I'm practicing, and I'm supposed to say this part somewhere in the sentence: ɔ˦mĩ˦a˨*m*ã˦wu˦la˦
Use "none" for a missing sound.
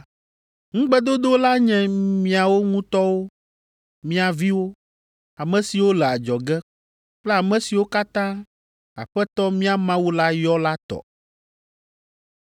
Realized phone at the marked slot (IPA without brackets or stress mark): m